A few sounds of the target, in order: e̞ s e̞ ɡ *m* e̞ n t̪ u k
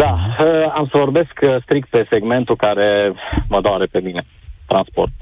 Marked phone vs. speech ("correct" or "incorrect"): correct